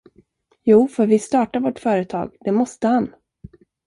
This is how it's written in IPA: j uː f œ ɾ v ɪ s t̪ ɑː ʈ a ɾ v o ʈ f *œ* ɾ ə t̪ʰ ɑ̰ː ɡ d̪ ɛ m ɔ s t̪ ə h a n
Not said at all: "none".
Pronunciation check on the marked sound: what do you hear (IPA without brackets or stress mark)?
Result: œː